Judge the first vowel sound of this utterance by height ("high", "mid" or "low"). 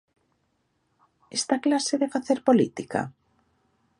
mid